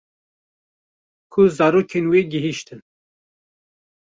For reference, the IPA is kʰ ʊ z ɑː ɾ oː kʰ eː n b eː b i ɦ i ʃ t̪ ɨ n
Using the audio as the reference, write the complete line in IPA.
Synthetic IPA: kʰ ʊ z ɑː ɾ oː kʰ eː n w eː ɡ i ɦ i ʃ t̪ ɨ n